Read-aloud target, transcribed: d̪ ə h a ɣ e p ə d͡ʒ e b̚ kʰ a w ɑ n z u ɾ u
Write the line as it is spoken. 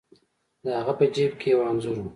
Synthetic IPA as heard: d̪ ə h a ɣ a p ə d͡ʒ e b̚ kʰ e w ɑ n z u ɾ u